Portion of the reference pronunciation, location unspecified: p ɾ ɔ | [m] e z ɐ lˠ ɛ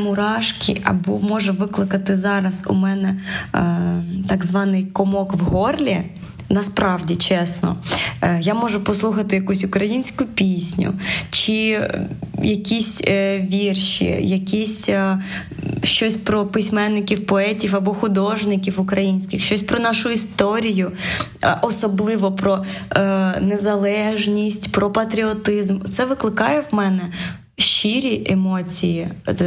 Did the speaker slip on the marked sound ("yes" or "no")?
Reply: yes